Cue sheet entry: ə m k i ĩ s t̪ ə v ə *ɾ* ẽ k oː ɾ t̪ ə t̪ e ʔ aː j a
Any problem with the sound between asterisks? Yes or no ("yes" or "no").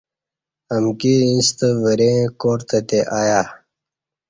no